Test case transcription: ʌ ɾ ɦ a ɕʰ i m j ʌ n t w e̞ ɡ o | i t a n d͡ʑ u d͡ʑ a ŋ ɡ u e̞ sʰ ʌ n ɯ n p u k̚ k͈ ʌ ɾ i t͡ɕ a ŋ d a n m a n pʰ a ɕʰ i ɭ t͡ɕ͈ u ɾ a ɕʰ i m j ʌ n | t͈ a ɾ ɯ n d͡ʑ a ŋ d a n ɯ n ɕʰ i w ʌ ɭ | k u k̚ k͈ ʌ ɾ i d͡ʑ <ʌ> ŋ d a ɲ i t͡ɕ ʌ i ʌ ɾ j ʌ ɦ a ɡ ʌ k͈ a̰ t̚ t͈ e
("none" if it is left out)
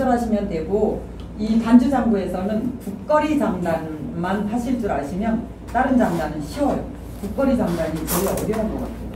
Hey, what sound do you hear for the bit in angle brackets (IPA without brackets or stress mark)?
a